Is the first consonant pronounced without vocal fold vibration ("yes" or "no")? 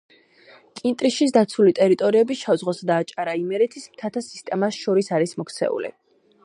yes